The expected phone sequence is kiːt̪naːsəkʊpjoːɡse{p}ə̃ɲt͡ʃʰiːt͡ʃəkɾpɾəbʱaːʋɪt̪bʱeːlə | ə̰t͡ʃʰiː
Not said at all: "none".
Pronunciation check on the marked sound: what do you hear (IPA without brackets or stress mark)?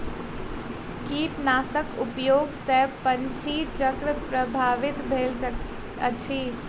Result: p